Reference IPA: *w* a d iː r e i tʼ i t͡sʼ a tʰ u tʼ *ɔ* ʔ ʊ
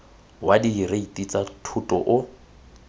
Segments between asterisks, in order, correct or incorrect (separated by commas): correct, correct